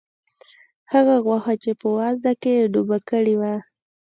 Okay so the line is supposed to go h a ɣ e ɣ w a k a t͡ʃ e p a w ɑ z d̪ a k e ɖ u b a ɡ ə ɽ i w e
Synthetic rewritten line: h a ɣ a ɣ w a x a t͡ʃ e p ə w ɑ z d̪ a k e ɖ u b a k ə ɽ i w a